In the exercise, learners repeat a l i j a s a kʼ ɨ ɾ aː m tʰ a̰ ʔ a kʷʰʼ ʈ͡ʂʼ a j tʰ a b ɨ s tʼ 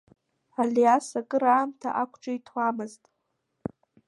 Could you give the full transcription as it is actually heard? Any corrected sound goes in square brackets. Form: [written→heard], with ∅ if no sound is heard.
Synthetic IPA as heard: a l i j a s a kʼ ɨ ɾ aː m tʰ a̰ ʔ a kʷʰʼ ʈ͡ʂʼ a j tʰ a [b→m] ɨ [s→z] tʼ